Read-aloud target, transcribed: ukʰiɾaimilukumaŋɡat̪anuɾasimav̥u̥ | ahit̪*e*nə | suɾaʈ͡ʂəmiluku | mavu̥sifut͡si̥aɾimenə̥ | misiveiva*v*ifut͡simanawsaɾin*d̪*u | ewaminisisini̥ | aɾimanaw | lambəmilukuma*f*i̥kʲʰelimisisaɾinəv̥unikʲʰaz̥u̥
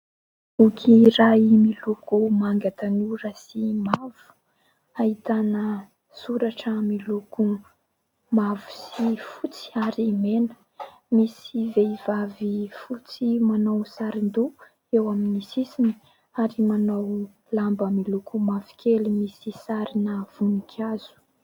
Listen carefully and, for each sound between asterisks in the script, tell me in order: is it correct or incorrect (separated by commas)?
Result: incorrect, correct, correct, incorrect